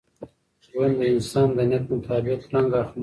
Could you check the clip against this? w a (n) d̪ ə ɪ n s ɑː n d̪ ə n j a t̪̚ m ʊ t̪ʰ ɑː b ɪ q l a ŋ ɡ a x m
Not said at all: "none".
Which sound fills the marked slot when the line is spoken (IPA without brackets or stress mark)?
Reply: n